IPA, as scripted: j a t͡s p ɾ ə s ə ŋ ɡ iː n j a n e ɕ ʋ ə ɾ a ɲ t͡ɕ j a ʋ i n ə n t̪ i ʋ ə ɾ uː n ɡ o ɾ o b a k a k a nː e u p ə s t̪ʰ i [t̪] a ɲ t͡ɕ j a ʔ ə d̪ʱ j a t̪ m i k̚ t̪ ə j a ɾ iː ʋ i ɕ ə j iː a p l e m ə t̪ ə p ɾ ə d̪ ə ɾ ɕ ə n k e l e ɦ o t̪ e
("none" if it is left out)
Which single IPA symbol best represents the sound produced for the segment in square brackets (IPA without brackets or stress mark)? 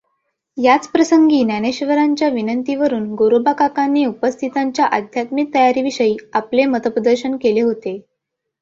t̪